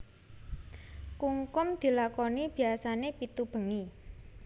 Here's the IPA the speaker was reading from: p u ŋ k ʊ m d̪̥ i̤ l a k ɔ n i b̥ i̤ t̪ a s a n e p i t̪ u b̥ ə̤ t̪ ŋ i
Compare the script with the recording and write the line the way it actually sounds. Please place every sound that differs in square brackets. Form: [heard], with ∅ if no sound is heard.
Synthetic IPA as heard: [k] u ŋ k ʊ m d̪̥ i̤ l a k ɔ n i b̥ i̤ [∅] a s a n e p i t̪ u b̥ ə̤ [∅] ŋ i